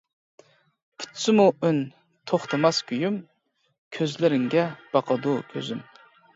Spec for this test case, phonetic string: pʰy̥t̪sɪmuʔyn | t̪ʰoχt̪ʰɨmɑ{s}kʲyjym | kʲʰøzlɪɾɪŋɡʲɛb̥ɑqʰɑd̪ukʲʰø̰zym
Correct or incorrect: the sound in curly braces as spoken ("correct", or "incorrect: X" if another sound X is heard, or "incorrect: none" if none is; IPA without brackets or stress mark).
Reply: correct